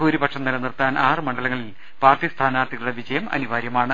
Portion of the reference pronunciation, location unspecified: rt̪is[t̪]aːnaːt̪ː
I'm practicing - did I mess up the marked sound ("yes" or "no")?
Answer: yes